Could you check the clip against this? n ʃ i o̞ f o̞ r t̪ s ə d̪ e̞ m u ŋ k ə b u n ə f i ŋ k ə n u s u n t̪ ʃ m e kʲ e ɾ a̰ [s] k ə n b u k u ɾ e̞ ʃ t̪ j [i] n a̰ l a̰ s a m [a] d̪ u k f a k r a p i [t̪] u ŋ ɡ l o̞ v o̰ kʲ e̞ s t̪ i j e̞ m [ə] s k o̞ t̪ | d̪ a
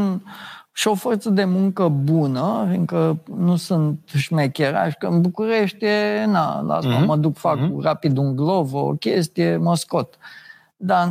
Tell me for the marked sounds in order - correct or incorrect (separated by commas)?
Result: incorrect, incorrect, incorrect, incorrect, correct